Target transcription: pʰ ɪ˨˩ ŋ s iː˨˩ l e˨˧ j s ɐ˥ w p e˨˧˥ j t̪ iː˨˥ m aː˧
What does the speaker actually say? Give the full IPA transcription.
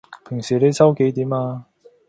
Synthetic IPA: pʰ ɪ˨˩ ŋ s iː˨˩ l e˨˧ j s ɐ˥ w k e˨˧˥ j t̪ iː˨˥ m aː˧

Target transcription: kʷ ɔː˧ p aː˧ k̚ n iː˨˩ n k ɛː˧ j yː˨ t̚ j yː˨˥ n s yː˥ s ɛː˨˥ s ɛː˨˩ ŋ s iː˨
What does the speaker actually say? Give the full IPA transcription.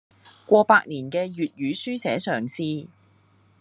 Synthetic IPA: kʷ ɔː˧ p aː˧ k̚ n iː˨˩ n k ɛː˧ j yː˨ t̚ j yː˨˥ s yː˥ s ɛː˨˥ s œː˨˩ ŋ s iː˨

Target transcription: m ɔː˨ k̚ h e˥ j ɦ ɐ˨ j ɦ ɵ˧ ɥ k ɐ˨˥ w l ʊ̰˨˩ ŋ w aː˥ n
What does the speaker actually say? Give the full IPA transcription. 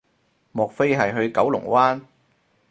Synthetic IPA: m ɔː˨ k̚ f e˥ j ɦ ɐ˨ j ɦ ɵ˧ ɥ k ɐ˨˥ w l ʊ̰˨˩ ŋ w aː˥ n

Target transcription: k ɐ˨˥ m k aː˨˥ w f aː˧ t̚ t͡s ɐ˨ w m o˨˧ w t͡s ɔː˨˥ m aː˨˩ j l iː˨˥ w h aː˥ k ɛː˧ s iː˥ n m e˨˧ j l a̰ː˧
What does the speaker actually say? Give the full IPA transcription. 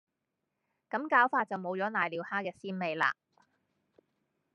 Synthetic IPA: k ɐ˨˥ m k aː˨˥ w f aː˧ t̚ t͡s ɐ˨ w m o˨˧ w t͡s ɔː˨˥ n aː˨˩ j l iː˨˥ w h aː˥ k ɛː˧ s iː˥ n m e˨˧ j l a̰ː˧

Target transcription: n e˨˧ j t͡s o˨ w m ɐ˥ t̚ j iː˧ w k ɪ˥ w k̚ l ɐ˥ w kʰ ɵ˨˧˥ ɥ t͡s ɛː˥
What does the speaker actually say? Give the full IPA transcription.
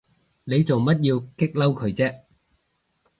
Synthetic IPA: n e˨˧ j t͡s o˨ w m ɐ˥ t̚ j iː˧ w k ɪ˥ k̚ l ɐ˥ w kʰ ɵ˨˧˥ ɥ t͡s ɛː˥

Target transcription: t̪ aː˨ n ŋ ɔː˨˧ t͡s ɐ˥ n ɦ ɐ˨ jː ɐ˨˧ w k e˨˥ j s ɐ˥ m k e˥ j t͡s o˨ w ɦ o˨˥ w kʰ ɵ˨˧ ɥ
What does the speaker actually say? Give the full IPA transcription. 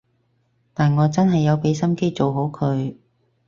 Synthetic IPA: t̪ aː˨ n ŋ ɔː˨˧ t͡s ɐ˥ n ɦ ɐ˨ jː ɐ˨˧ w p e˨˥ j s ɐ˥ m k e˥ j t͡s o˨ w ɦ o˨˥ w kʰ ɵ˨˧ ɥ

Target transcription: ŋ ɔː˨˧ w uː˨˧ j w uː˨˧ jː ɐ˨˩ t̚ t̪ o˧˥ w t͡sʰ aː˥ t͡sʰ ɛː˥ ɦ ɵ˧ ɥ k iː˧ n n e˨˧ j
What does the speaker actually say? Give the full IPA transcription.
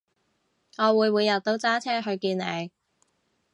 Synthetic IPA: ŋ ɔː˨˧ w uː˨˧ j w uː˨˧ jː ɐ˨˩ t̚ t̪ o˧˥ w t͡s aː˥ t͡sʰ ɛː˥ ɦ ɵ˧ ɥ k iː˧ n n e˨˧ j

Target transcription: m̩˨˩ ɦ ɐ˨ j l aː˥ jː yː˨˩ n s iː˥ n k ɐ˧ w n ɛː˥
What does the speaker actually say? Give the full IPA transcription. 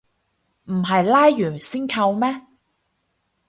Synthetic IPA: m̩˨˩ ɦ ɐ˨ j l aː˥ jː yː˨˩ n s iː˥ n kʰ ɐ˧ w m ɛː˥

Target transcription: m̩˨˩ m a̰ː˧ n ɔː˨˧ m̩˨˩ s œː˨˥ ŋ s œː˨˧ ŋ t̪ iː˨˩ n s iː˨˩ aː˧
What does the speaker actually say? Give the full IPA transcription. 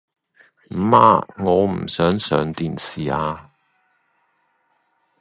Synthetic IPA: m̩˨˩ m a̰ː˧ ŋ ɔː˨˧ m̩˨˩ s œː˨˥ ŋ s œː˨˧ ŋ t̪ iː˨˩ n s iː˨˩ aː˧

